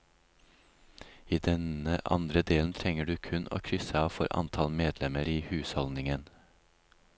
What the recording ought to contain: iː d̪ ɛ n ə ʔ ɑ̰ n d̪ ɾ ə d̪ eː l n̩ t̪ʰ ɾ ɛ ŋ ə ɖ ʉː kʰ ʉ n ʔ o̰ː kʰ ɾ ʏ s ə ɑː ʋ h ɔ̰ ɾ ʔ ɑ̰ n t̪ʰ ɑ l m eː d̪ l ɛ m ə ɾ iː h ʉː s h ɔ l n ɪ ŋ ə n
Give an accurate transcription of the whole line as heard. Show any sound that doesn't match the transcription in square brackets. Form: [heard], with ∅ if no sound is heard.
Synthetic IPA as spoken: iː d̪ ɛ n ə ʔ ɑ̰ n d̪ ɾ ə d̪ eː l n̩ t̪ʰ ɾ ɛ ŋ ə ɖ ʉː kʰ ʉ n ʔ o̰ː kʰ ɾ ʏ s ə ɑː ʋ [f] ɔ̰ ɾ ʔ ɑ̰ n t̪ʰ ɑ l m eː d̪ l ɛ m ə ɾ iː h ʉː s h ɔ l n ɪ ŋ ə n